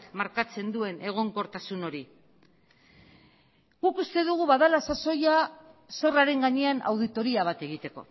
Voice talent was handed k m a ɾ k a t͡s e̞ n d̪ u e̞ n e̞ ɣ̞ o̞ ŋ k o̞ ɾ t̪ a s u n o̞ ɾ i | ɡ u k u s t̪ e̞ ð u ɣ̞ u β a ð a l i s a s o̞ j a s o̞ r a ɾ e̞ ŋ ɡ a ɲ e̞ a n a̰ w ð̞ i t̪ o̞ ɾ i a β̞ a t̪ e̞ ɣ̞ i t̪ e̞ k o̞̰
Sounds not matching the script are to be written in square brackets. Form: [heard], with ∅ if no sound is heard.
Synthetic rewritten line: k m a ɾ k a t͡s e̞ n d̪ u e̞ n e̞ ɣ̞ o̞ ŋ k o̞ ɾ t̪ a s u n o̞ ɾ i | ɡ u k u s t̪ e̞ ð u ɣ̞ u β a ð a l [a] s a s o̞ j a s o̞ r a ɾ e̞ ŋ ɡ a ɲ e̞ a n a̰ w ð̞ i t̪ o̞ ɾ i a β̞ a t̪ e̞ ɣ̞ i t̪ e̞ k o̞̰